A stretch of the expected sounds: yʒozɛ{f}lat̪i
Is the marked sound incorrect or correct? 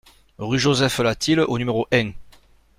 correct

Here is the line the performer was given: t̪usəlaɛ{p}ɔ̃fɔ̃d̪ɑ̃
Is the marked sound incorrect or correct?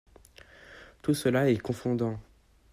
incorrect: k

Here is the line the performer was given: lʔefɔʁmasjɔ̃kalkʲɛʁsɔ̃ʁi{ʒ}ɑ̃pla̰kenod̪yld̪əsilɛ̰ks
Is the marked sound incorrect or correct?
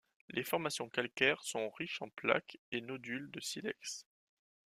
incorrect: ʃ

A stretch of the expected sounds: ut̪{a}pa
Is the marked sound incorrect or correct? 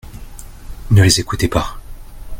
incorrect: e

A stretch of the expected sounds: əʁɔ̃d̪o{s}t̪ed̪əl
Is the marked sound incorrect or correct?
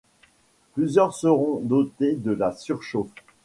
incorrect: none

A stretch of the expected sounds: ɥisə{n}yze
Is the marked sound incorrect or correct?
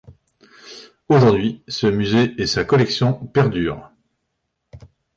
incorrect: m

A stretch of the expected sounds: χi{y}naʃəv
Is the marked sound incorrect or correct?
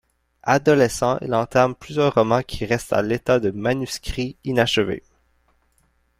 incorrect: i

